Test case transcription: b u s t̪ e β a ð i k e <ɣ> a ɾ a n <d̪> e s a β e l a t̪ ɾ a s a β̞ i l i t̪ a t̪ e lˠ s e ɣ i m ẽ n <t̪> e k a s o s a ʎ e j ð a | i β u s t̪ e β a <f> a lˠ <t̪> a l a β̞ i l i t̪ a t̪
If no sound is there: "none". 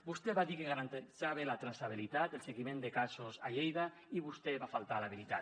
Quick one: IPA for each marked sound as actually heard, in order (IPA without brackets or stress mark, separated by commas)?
ɣ, t̪, d̪, f, t̪